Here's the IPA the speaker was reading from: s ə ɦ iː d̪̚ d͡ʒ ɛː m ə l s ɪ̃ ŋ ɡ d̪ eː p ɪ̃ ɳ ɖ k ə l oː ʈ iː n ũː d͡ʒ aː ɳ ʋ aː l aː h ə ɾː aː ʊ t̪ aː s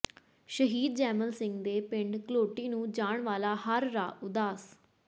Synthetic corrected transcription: ʃ ə ɦ iː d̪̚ d͡ʒ ɛː m ə l s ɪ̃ ŋ ɡ d̪ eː p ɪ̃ ɳ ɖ k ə l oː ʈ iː n ũː d͡ʒ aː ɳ ʋ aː l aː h ə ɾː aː ʊ d̪ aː s